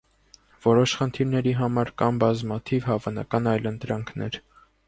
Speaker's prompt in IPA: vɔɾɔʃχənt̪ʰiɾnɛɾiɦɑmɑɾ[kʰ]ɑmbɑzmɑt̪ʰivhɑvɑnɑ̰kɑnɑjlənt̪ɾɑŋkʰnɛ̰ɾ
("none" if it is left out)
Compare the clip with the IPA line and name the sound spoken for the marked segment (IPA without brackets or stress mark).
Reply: k